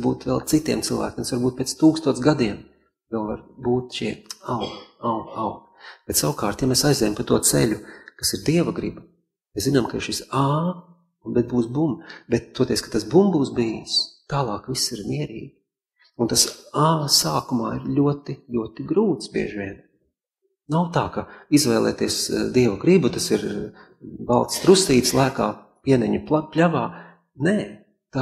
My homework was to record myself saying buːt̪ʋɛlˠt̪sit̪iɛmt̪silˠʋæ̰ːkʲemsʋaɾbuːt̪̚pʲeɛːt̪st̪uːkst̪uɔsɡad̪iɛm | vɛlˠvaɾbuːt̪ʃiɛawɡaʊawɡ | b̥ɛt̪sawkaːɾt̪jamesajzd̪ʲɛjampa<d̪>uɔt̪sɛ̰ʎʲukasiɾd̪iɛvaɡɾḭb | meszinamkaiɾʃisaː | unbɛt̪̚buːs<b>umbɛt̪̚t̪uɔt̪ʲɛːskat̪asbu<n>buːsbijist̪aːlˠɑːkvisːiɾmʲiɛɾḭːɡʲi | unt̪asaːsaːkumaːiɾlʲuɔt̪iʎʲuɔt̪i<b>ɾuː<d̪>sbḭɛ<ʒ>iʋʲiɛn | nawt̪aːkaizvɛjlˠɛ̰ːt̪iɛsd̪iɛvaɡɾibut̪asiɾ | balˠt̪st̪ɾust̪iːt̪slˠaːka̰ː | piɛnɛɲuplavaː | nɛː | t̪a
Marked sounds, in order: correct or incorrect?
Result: incorrect: t̪, correct, incorrect: m, incorrect: ɡ, incorrect: t̪, correct

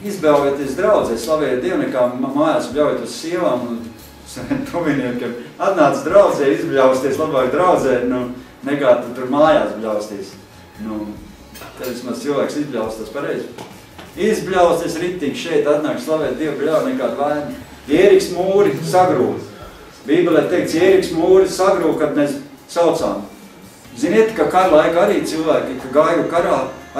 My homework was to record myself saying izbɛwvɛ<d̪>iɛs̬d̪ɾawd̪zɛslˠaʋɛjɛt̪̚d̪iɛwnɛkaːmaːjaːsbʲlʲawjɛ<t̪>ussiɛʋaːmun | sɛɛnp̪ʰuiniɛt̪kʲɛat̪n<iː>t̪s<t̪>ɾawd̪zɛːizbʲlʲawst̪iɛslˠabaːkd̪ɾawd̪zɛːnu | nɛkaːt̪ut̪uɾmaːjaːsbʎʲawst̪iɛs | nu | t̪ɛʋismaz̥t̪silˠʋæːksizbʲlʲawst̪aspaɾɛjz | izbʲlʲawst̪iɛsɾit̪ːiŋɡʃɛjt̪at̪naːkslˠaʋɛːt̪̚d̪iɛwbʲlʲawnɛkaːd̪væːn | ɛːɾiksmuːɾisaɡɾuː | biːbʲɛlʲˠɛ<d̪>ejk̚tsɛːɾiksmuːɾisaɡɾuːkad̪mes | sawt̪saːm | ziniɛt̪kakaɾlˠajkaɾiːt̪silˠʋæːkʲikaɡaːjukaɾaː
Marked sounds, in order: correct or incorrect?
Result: incorrect: t̪, correct, incorrect: aː, incorrect: d̪, incorrect: t̪

